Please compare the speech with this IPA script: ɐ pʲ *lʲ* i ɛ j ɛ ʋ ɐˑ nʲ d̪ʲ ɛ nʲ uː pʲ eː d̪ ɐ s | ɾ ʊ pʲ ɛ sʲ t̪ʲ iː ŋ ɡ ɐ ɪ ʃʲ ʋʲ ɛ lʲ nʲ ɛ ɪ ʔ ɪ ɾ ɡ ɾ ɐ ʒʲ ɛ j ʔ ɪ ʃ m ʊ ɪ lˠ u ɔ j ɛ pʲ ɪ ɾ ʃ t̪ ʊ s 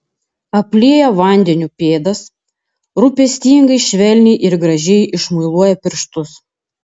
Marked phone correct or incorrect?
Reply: correct